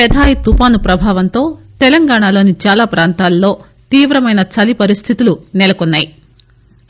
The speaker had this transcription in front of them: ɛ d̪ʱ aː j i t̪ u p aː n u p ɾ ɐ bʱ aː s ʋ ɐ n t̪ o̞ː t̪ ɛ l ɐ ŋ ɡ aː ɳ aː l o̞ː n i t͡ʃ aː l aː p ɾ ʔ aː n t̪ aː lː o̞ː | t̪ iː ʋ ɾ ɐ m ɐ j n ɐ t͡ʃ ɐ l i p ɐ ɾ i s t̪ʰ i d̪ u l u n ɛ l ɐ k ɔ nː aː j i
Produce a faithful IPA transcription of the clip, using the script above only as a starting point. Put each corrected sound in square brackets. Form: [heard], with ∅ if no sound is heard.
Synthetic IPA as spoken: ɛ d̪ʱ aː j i t̪ u p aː n u p ɾ ɐ bʱ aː [∅] ʋ ɐ n t̪ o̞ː t̪ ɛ l ɐ ŋ ɡ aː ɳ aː l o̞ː n i t͡ʃ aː l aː p ɾ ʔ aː n t̪ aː lː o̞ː | t̪ iː ʋ ɾ ɐ m ɐ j n ɐ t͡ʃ ɐ l i p ɐ ɾ i s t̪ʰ i [t̪] u l u n ɛ l ɐ k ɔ nː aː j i